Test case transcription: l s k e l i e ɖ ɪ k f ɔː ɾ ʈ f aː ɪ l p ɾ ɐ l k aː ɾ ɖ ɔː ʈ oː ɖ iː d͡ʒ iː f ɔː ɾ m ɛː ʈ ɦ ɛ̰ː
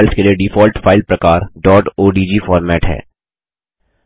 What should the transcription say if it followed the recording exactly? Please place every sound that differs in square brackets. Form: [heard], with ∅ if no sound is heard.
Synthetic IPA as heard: l s k e l i e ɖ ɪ [∅] f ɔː [l] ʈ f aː ɪ l p ɾ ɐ [∅] k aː ɾ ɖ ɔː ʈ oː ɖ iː d͡ʒ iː f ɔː ɾ m ɛː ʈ ɦ ɛ̰ː